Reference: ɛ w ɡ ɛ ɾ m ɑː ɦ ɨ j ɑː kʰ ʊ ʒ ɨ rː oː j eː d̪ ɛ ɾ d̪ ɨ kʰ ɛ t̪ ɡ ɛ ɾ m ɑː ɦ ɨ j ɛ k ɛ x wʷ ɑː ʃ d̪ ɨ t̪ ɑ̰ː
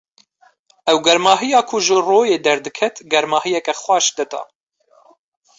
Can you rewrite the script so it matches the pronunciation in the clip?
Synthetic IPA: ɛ w ɡ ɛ ɾ m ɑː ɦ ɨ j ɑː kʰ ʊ ʒ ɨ r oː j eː d̪ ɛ ɾ d̪ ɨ kʰ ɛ t̪ ɡ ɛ ɾ m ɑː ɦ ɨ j ɛ k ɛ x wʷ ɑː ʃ d̪ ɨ t̪ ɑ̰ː